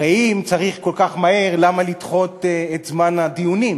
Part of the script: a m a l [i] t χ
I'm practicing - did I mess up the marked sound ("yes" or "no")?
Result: no